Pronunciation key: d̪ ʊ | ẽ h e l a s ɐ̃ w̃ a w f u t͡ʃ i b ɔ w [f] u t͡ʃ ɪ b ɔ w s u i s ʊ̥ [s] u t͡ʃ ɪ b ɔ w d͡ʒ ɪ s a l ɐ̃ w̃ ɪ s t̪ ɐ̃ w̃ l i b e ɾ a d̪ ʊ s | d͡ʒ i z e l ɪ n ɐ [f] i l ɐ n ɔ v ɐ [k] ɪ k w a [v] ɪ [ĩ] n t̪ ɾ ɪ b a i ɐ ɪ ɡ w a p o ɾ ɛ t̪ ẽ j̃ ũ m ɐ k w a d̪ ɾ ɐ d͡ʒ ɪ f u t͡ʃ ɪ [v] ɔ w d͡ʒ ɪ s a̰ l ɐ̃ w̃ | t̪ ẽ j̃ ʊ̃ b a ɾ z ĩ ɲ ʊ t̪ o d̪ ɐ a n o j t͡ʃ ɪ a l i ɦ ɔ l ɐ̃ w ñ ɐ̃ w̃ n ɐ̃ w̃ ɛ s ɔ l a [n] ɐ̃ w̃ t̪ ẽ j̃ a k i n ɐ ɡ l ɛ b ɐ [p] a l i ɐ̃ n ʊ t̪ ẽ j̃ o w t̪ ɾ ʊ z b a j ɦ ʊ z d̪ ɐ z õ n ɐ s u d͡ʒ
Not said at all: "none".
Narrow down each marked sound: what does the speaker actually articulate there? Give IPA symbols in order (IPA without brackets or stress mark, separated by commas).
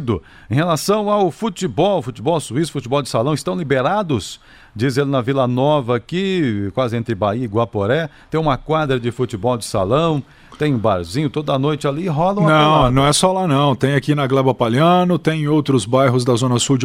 f, f, v, k, z, ẽ, b, n, p